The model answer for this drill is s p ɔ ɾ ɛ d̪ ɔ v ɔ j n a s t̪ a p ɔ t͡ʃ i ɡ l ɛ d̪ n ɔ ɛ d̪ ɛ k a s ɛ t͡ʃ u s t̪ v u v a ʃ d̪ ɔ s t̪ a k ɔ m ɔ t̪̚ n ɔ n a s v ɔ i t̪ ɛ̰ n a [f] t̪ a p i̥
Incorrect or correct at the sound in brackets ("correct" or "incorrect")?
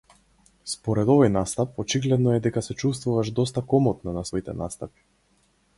incorrect